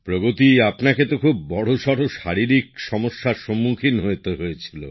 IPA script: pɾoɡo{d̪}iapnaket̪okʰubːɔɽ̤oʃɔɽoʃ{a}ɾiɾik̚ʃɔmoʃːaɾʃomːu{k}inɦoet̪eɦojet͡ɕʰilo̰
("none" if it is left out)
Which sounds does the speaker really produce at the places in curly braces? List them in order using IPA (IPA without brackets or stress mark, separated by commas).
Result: t̪, a, kʰ